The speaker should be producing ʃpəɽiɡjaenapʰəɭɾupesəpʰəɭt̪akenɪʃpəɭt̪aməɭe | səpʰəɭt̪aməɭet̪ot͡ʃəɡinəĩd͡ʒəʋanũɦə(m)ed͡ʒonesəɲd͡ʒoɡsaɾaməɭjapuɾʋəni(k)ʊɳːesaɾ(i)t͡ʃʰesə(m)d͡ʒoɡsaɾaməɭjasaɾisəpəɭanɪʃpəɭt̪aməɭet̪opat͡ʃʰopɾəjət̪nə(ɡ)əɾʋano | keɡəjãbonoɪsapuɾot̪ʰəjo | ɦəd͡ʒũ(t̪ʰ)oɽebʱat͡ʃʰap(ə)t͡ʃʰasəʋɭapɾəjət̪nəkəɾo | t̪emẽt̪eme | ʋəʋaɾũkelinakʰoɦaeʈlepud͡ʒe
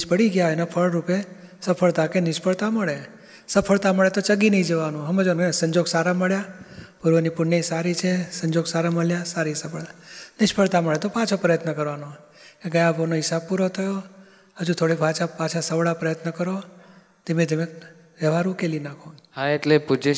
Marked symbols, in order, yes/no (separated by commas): yes, no, yes, no, no, yes, no